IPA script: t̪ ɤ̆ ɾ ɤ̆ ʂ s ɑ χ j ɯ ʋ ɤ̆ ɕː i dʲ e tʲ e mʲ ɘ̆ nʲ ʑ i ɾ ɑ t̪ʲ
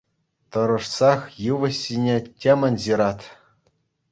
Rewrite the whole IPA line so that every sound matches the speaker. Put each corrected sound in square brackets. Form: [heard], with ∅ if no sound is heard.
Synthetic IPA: t̪ ɤ̆ ɾ ɤ̆ ʂ s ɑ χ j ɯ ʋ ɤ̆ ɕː i [nʲ] e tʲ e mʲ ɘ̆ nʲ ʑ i ɾ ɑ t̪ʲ